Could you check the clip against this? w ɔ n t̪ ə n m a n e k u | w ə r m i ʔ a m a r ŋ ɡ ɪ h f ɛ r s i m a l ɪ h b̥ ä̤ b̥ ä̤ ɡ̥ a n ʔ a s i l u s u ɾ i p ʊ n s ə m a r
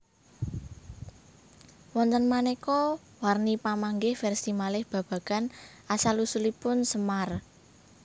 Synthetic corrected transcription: w ɔ n t̪ ə n m a n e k ɔ | w a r n i p a m a ŋ ɡ ɪ h f ɛ r s i m a l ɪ h b̥ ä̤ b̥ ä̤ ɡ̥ a n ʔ a s a l u s u l i p ʊ n s ə m a r